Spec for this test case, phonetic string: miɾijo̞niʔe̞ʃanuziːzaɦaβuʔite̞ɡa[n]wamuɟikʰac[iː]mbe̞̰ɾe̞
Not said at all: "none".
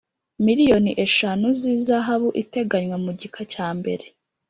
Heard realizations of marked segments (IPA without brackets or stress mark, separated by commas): ɲ, aː